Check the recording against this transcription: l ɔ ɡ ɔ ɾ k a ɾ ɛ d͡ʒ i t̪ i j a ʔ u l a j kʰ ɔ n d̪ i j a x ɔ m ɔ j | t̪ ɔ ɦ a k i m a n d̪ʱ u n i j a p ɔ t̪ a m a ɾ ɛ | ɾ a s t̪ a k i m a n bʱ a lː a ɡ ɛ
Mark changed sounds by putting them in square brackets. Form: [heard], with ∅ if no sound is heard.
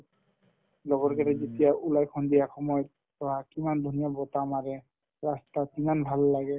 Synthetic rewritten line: l ɔ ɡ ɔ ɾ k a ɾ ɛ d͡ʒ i t̪ i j a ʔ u l a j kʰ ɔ n d̪ i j a x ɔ m ɔ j | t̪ ɔ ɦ a k i m a n d̪ʱ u n i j a [b] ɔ t̪ a m a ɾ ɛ | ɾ a s t̪ a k i m a n bʱ a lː a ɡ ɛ